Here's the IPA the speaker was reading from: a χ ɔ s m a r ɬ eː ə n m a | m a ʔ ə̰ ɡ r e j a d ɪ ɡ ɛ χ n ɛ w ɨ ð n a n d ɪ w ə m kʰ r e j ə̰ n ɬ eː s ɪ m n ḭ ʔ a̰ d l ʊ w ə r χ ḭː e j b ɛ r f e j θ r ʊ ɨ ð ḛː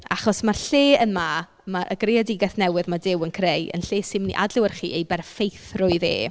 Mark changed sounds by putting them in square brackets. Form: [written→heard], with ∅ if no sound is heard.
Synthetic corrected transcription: a χ ɔ s m a r ɬ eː ə n m a | m a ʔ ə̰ ɡ r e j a d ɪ ɡ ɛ [χ→θ] n ɛ w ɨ ð [n→m] a [n→∅] d ɪ w ə [m→n] kʰ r e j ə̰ n ɬ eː s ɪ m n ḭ ʔ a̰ d l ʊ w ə r χ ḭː e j b ɛ r f e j θ r ʊ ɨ ð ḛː